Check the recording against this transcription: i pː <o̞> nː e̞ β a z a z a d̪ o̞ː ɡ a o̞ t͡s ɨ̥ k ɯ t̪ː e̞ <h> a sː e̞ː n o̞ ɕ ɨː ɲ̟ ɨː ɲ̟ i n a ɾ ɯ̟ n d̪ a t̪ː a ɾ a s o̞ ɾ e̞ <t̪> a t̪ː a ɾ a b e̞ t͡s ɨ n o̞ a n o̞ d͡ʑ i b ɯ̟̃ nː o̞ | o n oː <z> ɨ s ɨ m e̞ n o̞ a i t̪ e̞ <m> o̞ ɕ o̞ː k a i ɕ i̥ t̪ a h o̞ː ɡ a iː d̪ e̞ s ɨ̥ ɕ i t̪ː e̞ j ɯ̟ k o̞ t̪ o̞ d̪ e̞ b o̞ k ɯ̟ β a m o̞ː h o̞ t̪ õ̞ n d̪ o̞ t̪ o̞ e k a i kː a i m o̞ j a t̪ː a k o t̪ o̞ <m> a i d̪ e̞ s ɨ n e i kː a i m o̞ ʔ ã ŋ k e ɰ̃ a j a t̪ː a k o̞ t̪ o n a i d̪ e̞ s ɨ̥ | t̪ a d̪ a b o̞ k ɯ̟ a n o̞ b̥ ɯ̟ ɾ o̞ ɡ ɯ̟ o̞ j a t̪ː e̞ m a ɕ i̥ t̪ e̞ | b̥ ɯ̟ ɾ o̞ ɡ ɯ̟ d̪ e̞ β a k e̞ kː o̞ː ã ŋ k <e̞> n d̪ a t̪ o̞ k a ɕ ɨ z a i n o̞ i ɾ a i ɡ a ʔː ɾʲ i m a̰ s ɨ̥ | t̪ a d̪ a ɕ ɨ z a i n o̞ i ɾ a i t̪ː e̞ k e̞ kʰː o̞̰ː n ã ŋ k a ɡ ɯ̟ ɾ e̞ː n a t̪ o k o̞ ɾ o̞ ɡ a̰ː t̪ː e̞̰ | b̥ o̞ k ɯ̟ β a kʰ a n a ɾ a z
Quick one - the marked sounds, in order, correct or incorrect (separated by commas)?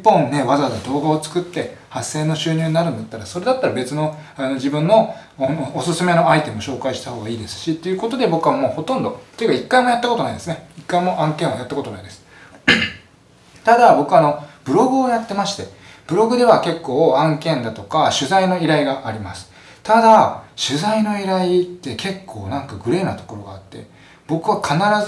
incorrect, correct, incorrect, incorrect, correct, incorrect, incorrect